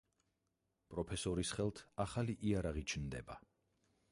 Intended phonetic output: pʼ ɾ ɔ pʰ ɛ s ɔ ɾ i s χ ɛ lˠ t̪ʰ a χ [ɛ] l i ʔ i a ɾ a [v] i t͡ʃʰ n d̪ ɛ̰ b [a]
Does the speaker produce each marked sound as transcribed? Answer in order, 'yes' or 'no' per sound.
no, no, yes

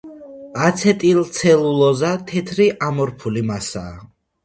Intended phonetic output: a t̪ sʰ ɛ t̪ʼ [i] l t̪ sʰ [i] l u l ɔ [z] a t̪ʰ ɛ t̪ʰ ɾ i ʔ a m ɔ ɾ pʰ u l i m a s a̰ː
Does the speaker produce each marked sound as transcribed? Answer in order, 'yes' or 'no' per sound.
yes, no, yes

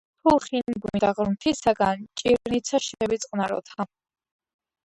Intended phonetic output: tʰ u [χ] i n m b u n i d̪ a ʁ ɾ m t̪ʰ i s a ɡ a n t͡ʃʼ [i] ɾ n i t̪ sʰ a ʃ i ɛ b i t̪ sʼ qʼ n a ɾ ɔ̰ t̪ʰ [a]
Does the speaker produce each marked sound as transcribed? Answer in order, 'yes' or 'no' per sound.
yes, yes, yes

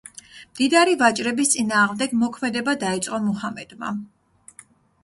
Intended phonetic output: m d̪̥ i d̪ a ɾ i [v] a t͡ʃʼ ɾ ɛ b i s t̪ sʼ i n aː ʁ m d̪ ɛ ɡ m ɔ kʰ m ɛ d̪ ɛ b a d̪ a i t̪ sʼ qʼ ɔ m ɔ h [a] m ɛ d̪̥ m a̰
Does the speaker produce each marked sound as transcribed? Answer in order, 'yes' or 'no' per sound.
yes, yes

